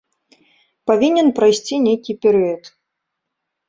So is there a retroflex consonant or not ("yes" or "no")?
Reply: no